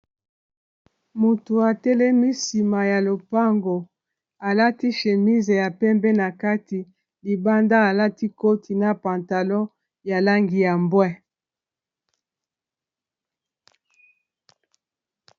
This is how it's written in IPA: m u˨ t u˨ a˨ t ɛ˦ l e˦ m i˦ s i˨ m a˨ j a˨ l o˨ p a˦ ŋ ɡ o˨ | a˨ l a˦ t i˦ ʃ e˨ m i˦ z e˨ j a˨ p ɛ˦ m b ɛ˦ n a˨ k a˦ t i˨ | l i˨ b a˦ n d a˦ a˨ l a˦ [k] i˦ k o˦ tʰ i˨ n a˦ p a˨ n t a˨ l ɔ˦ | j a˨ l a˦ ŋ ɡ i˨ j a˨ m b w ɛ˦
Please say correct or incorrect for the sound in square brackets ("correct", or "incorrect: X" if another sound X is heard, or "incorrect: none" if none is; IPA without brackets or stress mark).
incorrect: t